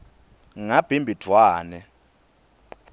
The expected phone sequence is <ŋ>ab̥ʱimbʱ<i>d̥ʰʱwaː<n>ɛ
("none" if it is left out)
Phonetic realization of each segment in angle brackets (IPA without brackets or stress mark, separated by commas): ŋ, i, n